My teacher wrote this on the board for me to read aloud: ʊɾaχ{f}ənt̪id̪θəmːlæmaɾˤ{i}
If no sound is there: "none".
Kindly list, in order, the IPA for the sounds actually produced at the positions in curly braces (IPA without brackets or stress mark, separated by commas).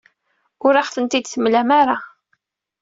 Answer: θ, a